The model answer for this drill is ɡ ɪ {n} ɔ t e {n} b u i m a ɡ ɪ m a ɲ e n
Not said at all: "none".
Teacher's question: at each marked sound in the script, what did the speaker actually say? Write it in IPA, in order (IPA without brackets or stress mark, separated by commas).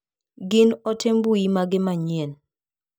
n, m